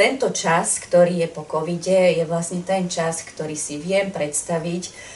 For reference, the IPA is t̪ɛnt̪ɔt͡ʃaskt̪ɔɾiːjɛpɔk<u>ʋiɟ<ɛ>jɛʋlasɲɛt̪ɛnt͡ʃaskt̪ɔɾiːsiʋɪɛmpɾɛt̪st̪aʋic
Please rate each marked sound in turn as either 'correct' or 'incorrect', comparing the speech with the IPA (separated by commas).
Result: incorrect, correct